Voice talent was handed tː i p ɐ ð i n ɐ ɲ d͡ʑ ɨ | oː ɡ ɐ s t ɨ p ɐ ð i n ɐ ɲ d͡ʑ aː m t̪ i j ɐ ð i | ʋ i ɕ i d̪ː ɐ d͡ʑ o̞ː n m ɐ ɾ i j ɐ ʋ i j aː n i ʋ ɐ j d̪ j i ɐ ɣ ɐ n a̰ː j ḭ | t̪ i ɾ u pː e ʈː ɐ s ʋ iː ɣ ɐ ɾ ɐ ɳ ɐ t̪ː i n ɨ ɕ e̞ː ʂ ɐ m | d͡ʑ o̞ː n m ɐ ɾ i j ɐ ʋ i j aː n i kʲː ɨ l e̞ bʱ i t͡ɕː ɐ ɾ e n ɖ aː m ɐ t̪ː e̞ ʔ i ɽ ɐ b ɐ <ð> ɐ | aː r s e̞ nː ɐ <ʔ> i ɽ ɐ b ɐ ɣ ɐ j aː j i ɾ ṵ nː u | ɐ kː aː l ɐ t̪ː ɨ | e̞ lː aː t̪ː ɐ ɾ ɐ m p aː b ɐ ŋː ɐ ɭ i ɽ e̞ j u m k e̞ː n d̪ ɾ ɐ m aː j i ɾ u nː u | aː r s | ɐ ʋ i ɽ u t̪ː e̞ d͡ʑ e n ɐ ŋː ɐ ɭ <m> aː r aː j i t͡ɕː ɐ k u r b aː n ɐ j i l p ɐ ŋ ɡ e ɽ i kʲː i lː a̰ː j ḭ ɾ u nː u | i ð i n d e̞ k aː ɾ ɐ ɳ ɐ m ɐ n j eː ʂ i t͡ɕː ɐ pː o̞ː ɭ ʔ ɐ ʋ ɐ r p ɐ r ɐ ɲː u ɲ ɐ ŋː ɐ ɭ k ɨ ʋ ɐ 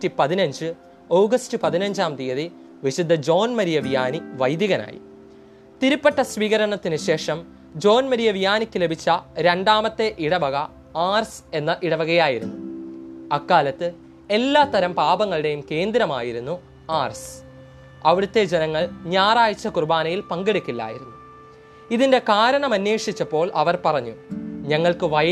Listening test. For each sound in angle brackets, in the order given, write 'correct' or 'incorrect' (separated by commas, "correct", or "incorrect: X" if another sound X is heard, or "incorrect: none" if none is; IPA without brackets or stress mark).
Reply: incorrect: ɣ, correct, incorrect: ɲ